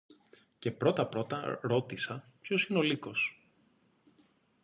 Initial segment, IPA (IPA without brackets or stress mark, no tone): c